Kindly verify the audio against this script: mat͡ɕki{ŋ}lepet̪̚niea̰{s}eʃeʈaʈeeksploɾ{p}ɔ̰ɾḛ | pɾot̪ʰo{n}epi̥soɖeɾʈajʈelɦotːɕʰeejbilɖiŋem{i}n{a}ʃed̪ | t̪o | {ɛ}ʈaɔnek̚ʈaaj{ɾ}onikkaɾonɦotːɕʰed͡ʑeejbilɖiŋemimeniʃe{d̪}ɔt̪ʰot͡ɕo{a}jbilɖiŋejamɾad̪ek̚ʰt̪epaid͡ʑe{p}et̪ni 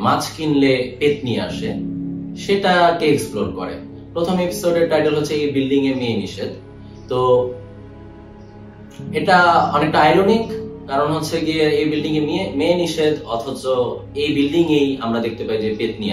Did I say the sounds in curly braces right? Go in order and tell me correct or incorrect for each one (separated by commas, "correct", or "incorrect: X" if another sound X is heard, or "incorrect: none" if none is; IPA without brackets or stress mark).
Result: incorrect: n, incorrect: ʃ, incorrect: k, incorrect: m, incorrect: e, incorrect: i, incorrect: e, correct, correct, incorrect: e, correct